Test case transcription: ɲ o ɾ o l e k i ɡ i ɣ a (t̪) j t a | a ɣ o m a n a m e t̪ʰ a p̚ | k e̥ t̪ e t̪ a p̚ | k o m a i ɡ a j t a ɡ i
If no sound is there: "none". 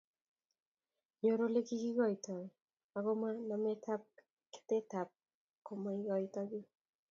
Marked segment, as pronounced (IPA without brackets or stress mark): none